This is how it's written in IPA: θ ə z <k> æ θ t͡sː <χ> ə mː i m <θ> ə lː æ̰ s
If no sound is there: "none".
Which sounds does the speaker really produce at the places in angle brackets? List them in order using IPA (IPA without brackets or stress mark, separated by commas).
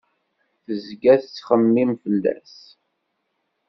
ɡ, χ, f